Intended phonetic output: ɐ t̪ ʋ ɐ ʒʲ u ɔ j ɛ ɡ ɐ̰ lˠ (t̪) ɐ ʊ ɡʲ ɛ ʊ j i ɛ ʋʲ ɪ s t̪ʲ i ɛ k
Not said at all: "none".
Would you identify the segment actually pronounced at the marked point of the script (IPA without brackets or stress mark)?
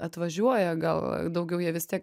d̪